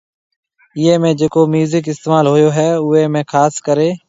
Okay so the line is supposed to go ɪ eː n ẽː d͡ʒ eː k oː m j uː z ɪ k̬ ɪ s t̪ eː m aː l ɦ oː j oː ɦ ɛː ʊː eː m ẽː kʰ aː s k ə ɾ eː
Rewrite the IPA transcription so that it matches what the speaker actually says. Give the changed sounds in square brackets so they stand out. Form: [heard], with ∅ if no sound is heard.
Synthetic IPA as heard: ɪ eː [m] ẽː d͡ʒ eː k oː m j uː z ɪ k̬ ɪ s t̪ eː m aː l ɦ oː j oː ɦ ɛː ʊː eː m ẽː kʰ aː s k ə ɾ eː